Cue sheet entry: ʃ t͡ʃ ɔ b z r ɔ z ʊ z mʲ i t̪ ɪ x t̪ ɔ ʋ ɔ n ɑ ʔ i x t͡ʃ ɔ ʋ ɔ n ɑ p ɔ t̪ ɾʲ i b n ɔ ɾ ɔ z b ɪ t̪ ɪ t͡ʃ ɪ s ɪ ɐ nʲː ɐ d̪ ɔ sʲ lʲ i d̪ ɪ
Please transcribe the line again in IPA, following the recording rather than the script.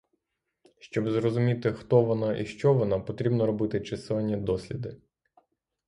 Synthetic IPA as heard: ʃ t͡ʃ ɔ b z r ɔ z ʊ mʲ i t̪ ɪ x t̪ ɔ ʋ ɔ n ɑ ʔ i ʃ t͡ʃ ɔ ʋ ɔ n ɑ p ɔ t̪ ɾʲ i b n ɔ ɾ ɔ b ɪ t̪ ɪ t͡ʃ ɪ s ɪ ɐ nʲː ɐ d̪ ɔ sʲ lʲ i d̪ ɪ